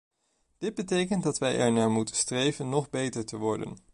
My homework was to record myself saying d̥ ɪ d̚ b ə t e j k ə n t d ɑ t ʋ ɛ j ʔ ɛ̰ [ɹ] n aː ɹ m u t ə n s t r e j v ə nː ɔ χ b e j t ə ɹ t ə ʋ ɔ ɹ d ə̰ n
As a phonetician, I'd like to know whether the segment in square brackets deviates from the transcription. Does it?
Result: no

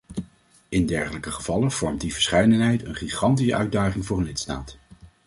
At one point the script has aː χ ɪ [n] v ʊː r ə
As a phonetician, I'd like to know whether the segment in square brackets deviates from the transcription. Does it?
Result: yes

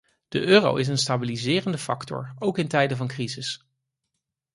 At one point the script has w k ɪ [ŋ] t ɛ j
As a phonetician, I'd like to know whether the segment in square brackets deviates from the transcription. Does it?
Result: yes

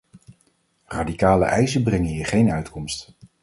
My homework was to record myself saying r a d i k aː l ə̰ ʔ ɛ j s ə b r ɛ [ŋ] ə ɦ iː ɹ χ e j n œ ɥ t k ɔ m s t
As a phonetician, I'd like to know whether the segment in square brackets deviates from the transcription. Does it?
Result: no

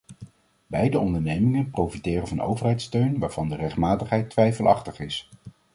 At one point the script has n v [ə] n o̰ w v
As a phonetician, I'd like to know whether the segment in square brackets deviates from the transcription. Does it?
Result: yes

